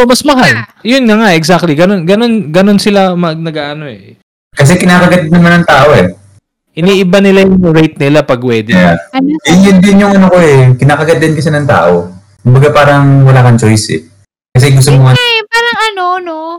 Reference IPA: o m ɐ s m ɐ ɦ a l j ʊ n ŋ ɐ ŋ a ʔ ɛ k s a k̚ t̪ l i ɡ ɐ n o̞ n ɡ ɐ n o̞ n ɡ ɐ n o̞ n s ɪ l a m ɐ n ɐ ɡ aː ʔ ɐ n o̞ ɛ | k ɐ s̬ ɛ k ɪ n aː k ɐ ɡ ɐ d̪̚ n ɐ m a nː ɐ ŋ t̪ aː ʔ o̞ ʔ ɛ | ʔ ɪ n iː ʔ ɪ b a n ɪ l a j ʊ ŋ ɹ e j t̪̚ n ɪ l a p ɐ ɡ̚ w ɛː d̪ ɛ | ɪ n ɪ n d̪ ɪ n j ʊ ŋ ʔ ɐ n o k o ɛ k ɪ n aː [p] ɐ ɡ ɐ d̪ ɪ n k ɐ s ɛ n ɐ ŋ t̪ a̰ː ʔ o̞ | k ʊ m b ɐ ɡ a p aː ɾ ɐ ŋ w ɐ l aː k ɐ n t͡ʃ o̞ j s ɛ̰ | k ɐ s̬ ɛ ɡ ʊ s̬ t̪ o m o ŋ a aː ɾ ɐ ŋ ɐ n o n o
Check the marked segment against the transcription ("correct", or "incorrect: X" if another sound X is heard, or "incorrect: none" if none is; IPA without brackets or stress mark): incorrect: k